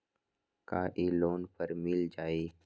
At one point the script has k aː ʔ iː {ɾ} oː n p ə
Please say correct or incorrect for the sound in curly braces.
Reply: incorrect: l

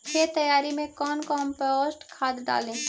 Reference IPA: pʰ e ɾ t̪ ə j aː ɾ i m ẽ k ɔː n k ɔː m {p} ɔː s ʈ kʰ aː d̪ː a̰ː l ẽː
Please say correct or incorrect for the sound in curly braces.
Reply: correct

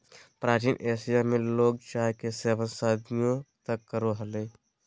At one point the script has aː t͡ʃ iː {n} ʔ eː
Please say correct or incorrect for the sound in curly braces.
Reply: correct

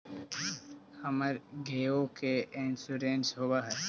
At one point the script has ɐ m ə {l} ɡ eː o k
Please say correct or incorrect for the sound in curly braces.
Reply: incorrect: ɾ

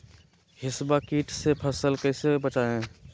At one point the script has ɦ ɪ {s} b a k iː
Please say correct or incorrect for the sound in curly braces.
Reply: correct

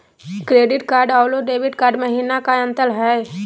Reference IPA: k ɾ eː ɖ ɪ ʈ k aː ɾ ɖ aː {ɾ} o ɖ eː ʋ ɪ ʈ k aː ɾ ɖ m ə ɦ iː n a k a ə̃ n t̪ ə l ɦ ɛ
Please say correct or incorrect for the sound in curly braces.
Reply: incorrect: l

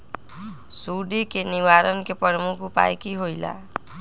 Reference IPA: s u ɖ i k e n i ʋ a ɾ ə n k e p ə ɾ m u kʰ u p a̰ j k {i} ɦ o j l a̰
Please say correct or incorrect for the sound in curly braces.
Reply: correct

